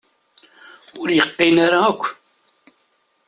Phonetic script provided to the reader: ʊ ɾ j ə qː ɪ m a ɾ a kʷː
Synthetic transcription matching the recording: ʊ ɾ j ə qː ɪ n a ɾ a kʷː